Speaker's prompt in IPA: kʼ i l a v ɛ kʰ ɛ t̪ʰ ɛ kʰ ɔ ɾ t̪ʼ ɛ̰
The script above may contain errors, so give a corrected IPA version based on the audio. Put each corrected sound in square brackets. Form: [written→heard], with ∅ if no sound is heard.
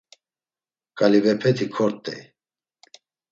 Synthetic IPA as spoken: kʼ [i→a] l [a→i] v ɛ [kʰ→pʰ] ɛ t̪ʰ [ɛ→i] kʰ ɔ ɾ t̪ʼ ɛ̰